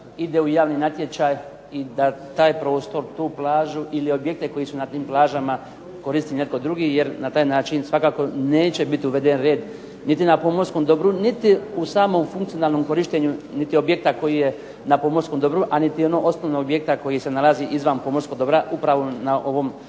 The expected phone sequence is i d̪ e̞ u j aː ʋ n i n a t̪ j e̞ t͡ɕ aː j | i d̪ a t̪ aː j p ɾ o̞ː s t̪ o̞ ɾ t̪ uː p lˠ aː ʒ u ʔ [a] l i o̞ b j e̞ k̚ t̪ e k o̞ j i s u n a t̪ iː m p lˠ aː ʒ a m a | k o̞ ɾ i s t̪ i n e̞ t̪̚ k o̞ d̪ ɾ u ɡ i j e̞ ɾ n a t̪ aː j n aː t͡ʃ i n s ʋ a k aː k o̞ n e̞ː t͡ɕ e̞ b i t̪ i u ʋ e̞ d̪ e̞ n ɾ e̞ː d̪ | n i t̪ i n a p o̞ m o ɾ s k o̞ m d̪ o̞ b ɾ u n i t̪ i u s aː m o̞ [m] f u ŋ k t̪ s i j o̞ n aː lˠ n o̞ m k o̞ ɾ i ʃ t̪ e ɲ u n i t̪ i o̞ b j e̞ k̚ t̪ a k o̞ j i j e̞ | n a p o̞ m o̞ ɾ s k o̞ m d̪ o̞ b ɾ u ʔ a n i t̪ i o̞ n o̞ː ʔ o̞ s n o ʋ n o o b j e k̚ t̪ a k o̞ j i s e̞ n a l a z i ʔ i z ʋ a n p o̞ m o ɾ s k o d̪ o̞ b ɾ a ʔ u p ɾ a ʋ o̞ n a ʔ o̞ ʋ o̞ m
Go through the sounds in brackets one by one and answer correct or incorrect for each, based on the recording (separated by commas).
incorrect, correct